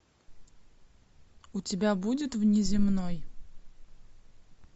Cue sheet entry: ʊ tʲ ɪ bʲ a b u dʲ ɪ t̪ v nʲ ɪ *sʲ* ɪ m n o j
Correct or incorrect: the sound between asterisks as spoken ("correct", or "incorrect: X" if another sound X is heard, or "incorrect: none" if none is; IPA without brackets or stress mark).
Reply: incorrect: zʲ